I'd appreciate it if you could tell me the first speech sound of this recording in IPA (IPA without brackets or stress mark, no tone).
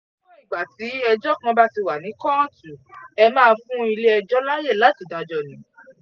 n